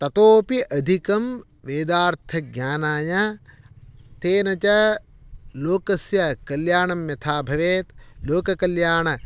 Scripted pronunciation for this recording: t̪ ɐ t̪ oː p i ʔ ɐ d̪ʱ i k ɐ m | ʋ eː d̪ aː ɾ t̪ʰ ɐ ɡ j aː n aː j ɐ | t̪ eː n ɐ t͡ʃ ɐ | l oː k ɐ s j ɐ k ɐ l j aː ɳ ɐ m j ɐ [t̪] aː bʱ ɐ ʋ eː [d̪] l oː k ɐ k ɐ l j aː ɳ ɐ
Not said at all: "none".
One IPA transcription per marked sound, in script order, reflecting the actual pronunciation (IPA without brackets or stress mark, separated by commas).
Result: t̪ʰ, t̪